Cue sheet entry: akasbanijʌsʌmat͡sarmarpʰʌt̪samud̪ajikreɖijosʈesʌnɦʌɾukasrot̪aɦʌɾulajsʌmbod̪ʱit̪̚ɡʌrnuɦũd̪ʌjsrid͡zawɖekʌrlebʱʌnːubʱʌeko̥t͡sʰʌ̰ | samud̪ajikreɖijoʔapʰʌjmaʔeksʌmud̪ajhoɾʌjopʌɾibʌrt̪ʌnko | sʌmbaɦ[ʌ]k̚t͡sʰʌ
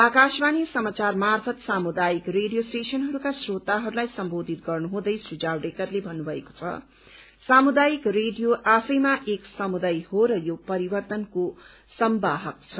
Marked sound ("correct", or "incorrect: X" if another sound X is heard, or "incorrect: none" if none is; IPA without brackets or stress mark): correct